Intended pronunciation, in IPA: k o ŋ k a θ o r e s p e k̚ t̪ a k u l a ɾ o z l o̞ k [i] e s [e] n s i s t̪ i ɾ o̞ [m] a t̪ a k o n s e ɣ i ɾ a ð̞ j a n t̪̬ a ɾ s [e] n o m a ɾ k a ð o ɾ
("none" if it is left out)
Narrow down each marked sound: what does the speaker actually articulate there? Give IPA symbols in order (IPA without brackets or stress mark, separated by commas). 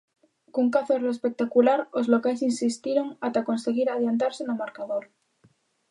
a, i, ŋ, e